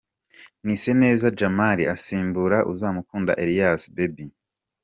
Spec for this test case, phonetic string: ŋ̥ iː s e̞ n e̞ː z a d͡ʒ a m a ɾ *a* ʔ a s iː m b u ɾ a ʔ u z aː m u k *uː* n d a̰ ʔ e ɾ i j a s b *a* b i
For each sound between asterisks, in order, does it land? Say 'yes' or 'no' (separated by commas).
no, yes, no